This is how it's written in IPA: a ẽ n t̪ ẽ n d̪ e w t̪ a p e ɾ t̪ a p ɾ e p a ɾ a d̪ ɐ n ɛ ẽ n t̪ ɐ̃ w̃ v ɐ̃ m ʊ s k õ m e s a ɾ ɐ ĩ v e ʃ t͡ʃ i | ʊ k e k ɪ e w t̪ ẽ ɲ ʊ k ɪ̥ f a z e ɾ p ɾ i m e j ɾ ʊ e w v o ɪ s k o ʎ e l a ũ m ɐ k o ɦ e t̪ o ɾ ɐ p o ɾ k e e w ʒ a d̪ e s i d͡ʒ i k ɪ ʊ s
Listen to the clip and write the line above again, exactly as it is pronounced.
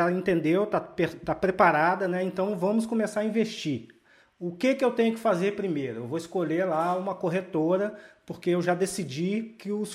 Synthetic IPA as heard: a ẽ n t̪ ẽ n d̪ e w t̪ a p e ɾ t̪ a p ɾ e p a ɾ a d̪ ɐ n ɛ ẽ n t̪ ɐ̃ w̃ v ɐ̃ m ʊ s k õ m e s a ɾ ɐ ĩ v e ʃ t͡ʃ i | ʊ k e k ɪ e w t̪ ẽ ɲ ʊ k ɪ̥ f a z e ɾ p ɾ i m e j ɾ ʊ e w v o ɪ s k o ʎ e l a ũ m ɐ k o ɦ e t̪ o ɾ ɐ p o ɾ k e e w ʒ a d̪ e s i d͡ʒ i k ɪ ʊ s